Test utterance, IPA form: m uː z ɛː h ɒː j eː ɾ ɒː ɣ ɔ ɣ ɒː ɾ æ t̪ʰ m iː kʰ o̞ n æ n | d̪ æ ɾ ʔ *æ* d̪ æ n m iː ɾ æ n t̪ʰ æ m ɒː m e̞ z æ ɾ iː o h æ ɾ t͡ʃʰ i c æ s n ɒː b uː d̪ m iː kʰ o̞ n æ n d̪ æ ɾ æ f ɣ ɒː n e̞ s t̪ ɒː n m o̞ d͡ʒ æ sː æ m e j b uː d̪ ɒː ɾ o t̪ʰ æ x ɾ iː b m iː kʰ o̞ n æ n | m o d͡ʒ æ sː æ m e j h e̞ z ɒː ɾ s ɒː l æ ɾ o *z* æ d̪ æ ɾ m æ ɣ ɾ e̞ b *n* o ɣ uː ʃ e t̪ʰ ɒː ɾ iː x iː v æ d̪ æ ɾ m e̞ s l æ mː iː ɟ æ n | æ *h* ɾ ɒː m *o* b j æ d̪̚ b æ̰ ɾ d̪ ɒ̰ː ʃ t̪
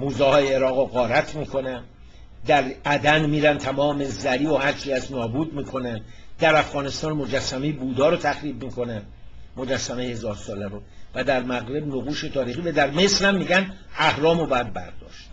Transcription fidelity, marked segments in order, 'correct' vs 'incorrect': correct, incorrect: v, correct, correct, correct

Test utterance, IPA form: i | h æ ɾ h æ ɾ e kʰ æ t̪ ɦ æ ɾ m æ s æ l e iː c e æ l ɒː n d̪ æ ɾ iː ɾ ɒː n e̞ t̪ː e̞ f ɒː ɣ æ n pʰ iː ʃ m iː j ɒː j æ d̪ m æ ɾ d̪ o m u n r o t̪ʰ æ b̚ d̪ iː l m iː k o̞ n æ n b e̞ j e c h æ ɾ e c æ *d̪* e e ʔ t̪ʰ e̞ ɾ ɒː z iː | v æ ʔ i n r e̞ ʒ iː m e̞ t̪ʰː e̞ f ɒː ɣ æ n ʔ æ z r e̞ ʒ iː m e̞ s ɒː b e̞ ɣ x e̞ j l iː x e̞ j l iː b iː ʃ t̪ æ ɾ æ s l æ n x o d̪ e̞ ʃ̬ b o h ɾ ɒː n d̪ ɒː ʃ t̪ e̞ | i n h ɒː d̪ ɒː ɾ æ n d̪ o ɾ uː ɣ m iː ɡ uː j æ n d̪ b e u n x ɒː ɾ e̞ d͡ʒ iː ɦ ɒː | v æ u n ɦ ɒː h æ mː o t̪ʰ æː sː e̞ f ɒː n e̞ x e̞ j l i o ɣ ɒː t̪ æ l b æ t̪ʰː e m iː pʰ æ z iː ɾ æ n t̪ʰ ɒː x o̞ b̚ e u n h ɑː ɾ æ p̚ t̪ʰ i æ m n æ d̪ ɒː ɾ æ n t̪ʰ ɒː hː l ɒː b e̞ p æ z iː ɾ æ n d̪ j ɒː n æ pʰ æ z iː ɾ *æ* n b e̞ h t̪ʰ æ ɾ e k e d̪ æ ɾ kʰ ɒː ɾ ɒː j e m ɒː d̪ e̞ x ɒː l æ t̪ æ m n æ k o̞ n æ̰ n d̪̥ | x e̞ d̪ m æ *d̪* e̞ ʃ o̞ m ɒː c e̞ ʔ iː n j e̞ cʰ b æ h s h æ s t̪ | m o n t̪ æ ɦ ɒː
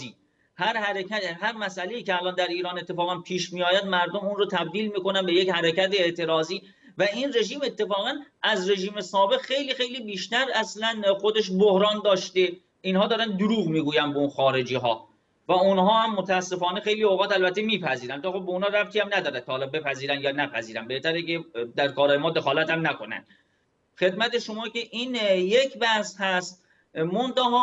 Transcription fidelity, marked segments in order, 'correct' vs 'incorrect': incorrect: t̪, correct, incorrect: t̪

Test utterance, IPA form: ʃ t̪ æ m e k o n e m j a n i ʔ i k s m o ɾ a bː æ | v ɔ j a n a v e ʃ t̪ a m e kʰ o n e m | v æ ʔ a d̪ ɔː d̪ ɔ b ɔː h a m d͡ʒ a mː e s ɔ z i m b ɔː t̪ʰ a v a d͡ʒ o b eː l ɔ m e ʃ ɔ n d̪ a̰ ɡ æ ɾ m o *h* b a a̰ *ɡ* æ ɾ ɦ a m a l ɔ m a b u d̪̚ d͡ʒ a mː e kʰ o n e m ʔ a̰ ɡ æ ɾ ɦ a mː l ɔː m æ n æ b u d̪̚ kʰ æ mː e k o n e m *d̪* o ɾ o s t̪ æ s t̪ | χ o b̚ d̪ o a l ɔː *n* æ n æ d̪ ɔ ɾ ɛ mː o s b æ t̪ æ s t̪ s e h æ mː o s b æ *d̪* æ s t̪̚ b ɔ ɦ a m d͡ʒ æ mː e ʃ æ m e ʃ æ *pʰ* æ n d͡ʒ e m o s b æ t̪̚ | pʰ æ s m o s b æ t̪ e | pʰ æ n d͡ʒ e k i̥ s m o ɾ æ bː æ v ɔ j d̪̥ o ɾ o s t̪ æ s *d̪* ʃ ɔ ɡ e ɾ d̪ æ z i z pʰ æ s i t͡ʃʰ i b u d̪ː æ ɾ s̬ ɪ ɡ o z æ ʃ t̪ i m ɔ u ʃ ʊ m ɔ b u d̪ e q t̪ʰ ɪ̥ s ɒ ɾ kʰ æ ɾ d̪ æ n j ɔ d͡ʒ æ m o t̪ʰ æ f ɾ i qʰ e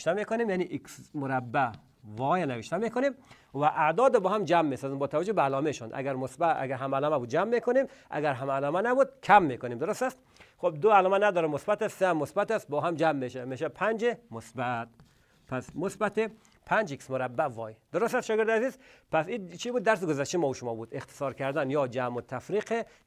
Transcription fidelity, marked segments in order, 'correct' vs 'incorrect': incorrect: s, correct, correct, incorrect: m, incorrect: t̪, correct, incorrect: t̪

